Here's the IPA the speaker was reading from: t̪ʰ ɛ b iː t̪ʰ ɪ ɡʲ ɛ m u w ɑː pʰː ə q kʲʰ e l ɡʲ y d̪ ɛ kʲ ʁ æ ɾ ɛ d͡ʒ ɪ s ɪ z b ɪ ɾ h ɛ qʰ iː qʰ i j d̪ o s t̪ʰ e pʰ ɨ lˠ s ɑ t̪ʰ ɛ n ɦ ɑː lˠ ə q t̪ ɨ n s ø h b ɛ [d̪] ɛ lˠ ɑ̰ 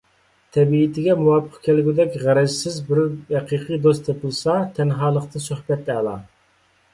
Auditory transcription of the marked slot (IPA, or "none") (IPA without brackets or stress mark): t̪